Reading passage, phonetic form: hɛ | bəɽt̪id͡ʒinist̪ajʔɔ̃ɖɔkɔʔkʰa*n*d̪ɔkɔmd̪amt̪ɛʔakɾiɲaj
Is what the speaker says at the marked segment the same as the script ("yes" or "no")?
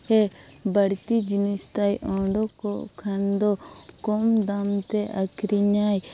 yes